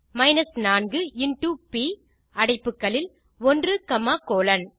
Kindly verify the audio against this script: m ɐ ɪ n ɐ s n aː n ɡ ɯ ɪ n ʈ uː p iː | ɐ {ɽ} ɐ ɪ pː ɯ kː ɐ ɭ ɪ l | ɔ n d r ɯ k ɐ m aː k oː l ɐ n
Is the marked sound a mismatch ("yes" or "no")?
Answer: no